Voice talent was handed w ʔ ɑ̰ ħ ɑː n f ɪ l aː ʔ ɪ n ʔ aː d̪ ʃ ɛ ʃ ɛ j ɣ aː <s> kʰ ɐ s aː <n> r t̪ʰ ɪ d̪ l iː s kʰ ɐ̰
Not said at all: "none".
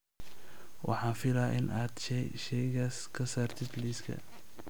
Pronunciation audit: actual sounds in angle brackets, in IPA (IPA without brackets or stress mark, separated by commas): s, none